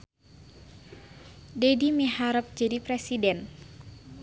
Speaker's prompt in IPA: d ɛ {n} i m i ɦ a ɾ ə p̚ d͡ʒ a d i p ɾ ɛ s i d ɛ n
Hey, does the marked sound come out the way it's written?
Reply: no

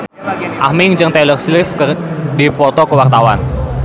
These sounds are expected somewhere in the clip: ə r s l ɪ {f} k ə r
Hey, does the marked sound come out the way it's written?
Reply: yes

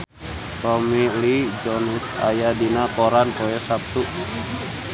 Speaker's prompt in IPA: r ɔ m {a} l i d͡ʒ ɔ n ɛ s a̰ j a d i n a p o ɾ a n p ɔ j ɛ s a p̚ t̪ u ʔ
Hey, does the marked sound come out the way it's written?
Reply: no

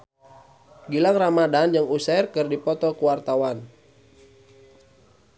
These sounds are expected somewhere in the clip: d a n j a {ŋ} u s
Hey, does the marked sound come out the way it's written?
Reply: yes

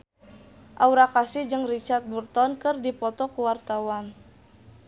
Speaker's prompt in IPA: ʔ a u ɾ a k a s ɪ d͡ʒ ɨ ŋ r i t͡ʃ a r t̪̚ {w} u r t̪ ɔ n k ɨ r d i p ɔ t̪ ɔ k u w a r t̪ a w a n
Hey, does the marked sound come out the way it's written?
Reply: no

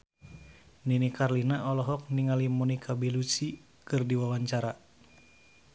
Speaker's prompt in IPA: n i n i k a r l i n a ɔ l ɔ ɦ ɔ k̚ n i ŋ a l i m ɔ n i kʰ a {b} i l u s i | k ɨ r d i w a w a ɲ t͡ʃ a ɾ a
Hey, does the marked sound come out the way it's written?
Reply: yes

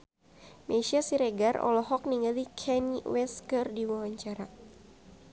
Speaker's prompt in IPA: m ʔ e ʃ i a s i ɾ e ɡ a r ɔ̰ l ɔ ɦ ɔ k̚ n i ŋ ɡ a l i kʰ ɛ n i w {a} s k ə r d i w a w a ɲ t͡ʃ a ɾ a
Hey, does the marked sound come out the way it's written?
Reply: no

